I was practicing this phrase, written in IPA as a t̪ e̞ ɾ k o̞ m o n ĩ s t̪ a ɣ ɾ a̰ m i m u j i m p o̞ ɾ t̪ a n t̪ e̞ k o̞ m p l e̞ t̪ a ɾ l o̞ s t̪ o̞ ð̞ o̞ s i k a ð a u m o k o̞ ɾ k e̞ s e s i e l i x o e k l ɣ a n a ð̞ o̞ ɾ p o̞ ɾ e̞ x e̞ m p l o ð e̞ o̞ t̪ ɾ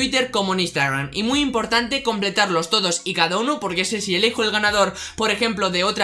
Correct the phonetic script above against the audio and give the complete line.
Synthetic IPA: i t̪ e̞ ɾ k o̞ m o n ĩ s t̪ a ɣ ɾ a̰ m i m u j i m p o̞ ɾ t̪ a n t̪ e̞ k o̞ m p l e̞ t̪ a ɾ l o̞ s t̪ o̞ ð̞ o̞ s i k a ð a u n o p o̞ ɾ k e̞ s e s i e l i x o e l ɣ a n a ð̞ o̞ ɾ p o̞ ɾ e̞ x e̞ m p l o ð e̞ o̞ t̪ ɾ